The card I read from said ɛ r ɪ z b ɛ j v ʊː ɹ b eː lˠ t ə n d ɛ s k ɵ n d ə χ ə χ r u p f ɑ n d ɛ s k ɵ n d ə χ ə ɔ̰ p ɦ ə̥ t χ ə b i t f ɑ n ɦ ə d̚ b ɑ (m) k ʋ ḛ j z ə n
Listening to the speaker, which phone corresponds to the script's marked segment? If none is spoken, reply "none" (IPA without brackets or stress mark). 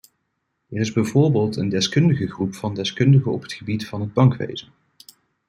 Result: ŋ